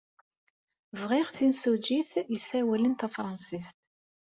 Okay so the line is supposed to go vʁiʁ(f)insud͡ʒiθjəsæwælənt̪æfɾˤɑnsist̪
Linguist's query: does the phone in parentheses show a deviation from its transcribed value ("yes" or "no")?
yes